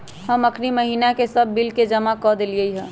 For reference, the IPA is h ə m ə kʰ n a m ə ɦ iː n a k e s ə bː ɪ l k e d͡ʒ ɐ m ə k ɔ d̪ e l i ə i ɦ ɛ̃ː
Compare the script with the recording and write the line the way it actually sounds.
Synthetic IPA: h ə m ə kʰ n i m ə ɦ iː n a k e s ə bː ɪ l k e d͡ʒ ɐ m a k ɔ d̪ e l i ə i ɦ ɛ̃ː